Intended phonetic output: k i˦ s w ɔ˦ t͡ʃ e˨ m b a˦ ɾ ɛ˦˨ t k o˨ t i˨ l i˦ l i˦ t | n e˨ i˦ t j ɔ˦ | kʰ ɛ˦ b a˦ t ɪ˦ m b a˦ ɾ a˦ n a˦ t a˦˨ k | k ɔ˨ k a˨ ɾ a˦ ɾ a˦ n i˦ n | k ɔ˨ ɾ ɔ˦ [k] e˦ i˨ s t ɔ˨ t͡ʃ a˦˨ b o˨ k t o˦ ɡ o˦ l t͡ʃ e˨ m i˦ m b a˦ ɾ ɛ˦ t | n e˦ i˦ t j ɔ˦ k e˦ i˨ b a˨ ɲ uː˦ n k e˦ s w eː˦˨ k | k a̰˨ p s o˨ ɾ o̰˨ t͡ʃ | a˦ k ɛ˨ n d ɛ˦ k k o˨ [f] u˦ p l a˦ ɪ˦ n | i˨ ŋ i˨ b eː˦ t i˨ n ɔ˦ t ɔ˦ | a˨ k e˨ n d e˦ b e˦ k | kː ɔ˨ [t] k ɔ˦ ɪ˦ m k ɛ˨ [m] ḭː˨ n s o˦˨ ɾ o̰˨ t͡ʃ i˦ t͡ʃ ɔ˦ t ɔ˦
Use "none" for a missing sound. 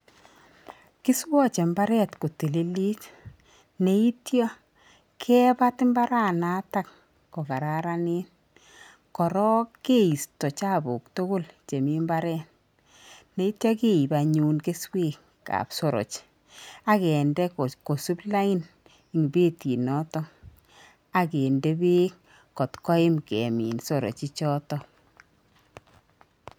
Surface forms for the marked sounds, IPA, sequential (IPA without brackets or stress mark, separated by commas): k, s, t, m